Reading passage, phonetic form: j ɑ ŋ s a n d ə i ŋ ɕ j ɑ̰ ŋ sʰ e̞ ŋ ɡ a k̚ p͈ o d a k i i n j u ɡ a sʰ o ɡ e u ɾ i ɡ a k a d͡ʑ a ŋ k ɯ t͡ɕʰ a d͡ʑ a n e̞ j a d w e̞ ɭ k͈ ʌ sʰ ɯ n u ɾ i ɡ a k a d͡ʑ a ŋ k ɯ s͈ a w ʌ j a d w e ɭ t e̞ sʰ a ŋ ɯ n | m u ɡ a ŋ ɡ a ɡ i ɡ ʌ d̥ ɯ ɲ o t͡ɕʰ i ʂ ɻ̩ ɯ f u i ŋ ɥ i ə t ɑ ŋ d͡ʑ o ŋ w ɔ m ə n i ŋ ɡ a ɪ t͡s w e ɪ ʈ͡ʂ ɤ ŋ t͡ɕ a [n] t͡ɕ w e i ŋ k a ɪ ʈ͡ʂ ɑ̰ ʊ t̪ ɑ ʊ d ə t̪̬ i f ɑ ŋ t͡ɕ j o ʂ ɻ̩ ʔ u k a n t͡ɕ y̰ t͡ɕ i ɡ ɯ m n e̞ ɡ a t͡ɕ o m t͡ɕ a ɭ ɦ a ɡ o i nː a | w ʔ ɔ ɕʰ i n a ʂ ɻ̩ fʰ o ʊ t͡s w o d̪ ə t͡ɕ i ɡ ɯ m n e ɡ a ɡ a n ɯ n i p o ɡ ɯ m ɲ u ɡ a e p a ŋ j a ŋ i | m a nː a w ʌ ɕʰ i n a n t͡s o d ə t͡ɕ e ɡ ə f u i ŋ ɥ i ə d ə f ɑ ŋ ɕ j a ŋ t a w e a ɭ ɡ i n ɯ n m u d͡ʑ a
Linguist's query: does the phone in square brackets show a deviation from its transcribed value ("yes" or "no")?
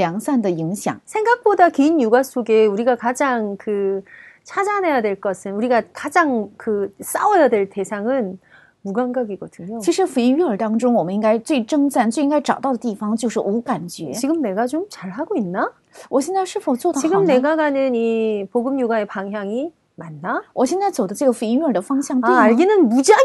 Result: no